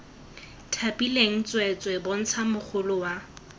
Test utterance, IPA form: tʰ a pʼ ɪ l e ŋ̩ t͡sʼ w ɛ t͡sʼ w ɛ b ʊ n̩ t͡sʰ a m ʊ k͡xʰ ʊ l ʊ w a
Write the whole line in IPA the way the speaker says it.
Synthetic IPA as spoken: tʰ a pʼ i l e ŋ̩ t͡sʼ w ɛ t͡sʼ w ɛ b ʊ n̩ t͡sʰ a m ʊ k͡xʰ ʊ l ʊ w a